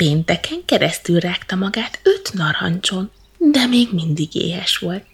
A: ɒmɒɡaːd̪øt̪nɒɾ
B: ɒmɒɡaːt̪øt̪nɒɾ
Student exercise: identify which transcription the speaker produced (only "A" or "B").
B